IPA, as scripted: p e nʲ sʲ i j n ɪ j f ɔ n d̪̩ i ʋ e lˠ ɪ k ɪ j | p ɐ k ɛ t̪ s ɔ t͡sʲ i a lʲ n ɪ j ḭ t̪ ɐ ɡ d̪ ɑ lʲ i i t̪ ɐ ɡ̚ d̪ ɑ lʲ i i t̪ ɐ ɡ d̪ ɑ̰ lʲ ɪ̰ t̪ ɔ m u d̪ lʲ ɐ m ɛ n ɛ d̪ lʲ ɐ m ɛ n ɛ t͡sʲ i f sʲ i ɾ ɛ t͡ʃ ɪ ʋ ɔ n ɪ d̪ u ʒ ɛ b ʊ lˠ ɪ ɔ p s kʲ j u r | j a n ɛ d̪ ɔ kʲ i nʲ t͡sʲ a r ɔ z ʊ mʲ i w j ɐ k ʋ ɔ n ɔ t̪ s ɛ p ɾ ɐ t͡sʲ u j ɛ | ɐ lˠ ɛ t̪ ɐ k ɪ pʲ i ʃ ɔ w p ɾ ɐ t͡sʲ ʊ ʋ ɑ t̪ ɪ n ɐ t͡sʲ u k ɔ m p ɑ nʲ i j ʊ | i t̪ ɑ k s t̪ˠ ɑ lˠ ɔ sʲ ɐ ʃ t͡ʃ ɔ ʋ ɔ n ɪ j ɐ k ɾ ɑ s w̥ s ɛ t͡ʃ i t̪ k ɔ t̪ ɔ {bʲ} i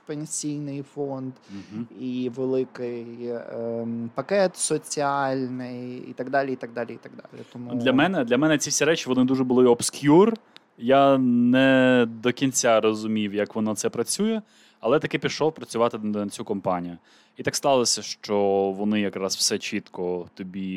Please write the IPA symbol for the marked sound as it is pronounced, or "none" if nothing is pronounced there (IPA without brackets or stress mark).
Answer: bʲ